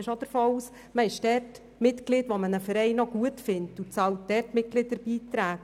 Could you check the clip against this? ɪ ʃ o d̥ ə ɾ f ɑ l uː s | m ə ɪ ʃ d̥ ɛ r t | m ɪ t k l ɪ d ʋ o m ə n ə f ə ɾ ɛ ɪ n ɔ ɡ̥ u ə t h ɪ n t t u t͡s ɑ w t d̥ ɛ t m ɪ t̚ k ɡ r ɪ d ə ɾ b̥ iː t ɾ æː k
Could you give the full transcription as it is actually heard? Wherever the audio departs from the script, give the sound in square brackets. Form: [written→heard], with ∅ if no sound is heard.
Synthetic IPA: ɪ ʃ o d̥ ə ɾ f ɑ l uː s | m ə ɪ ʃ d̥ ɛ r t | m ɪ t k l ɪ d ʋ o m ə n ə f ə ɾ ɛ ɪ n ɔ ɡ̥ u ə t [h→f] ɪ n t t u t͡s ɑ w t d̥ ɛ t m ɪ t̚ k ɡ [r→l] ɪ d ə ɾ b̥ iː t ɾ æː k